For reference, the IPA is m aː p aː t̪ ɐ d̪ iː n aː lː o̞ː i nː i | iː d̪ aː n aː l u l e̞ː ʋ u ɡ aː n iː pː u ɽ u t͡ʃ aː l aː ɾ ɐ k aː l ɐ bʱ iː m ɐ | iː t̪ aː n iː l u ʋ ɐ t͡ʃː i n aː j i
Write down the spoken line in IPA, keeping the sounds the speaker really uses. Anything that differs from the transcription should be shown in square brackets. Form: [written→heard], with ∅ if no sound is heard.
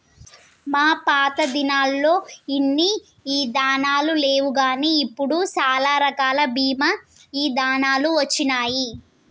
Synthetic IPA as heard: m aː p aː t̪ ɐ d̪ [iː→i] n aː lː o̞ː i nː i | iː d̪ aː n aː l u l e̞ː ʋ u ɡ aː n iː pː u ɽ u t͡ʃ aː l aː ɾ ɐ k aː l ɐ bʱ iː m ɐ | iː [t̪→d̪] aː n [iː→aː] l u ʋ ɐ t͡ʃː i n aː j i